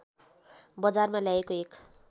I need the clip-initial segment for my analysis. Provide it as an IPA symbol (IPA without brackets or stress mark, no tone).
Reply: b